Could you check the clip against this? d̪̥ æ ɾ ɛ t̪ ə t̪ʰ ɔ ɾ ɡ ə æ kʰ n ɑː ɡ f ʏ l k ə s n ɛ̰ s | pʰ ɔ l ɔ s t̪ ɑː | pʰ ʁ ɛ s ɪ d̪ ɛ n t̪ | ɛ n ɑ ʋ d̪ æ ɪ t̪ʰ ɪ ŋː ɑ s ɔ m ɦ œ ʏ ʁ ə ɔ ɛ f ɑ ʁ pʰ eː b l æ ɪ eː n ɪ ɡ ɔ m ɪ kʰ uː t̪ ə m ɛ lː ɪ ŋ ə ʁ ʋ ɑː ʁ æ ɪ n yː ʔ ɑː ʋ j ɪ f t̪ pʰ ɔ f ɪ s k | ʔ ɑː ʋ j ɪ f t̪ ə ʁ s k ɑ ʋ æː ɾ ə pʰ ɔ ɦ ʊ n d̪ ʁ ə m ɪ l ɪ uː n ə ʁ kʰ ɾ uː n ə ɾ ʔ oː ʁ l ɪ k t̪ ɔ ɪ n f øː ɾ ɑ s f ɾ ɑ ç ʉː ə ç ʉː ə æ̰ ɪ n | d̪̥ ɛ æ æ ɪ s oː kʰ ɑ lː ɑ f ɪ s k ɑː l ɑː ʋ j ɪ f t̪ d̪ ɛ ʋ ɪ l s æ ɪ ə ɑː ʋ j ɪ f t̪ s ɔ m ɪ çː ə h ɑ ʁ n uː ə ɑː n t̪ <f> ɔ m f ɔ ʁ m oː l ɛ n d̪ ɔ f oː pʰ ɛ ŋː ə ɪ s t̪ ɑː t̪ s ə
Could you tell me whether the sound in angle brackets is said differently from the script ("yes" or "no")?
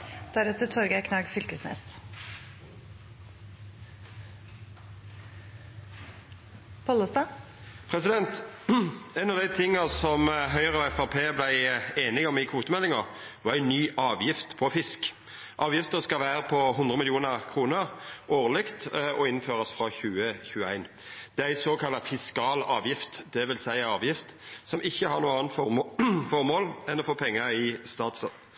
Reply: no